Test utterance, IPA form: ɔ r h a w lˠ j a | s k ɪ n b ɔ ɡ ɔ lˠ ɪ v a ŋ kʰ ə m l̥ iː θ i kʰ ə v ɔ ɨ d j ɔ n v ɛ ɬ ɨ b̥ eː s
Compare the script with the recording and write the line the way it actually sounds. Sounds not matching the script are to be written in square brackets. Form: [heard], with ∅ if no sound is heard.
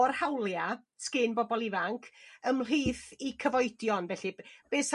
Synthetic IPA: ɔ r h a w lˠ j a | s k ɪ n b ɔ [b] ɔ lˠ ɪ v a ŋ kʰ ə m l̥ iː θ i kʰ ə v ɔ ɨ d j ɔ n v ɛ ɬ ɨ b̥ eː s

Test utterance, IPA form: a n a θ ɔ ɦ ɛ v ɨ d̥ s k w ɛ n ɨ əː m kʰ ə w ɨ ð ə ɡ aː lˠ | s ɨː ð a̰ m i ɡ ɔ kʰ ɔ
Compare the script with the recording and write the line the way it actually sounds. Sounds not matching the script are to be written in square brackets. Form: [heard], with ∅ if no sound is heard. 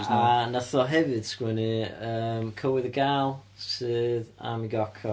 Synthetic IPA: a n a θ ɔ ɦ ɛ v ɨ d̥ s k w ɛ n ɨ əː m kʰ ə w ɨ ð ə ɡ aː lˠ | s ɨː ð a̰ m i ɡ ɔ kʰ ɔ

